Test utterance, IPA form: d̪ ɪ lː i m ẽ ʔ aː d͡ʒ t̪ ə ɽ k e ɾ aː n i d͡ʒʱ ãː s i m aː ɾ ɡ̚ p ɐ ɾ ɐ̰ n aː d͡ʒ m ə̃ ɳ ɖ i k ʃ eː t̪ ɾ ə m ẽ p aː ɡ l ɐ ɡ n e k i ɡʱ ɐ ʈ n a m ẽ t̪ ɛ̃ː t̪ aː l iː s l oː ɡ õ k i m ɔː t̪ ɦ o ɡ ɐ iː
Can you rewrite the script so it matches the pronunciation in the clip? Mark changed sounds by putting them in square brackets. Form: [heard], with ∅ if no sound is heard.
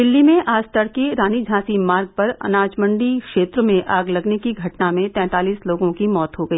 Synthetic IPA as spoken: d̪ ɪ lː i m ẽ ʔ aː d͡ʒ t̪ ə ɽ k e ɾ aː n i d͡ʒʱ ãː s i m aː ɾ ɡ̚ p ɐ ɾ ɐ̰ n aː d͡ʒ m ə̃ ɳ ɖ i k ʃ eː t̪ ɾ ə m ẽ [ʔ] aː ɡ l ɐ ɡ n e k i ɡʱ ɐ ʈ n a m ẽ t̪ ɛ̃ː t̪ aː l iː s l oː ɡ õ k i m ɔː t̪ ɦ o ɡ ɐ iː